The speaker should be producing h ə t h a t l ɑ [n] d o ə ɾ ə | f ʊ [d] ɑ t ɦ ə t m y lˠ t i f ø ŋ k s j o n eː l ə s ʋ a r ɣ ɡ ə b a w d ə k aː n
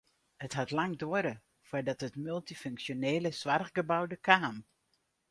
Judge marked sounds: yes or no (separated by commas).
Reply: no, yes